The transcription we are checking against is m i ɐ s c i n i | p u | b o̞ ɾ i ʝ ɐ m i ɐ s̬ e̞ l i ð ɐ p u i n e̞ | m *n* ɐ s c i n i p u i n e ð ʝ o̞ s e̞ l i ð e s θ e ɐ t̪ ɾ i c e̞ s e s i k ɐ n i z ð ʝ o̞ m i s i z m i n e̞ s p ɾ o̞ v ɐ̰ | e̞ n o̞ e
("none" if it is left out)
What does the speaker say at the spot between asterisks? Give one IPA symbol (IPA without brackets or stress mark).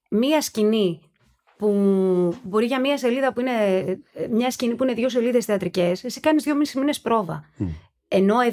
ɲ